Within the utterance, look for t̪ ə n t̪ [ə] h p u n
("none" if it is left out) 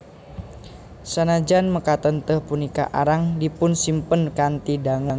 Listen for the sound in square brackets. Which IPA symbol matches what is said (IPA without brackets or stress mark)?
ə